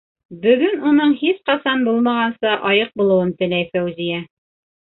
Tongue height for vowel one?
mid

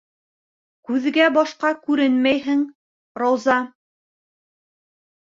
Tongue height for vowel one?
high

